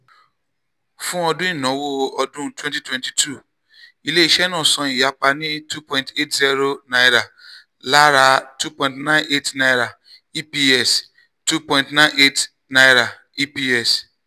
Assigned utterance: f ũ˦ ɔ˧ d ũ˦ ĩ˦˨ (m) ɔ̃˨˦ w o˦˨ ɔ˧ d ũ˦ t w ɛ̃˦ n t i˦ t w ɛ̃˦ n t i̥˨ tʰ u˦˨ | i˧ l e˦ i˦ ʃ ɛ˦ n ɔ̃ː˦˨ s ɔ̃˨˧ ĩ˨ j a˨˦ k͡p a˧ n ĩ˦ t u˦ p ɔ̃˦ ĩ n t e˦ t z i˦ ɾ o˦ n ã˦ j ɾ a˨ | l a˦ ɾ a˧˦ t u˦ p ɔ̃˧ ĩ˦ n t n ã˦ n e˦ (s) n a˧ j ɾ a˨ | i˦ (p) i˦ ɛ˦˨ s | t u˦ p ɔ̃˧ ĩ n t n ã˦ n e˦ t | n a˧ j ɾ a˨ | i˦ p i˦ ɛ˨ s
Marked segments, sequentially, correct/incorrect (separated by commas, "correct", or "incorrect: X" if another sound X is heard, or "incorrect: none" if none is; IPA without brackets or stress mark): incorrect: n, incorrect: t, correct